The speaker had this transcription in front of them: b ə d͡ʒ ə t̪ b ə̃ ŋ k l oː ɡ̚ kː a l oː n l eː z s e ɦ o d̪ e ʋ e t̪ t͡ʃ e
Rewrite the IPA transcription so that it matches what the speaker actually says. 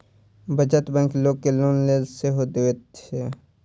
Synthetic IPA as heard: b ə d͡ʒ ə t̪ b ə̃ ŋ k l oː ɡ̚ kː e l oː n l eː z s e ɦ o d̪ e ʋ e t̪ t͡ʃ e